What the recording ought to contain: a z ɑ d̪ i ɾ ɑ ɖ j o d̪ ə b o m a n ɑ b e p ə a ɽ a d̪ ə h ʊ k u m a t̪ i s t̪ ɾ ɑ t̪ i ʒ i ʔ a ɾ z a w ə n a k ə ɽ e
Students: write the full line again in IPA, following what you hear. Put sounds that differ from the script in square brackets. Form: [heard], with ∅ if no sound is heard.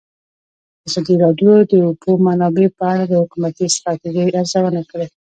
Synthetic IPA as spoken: a z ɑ d̪ i ɾ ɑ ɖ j o d̪ ə b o m a n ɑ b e p ə a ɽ a d̪ ə h ʊ k u m a t̪ i s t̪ ɾ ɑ t̪ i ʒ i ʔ a ɾ z a w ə n a k ə ɽ e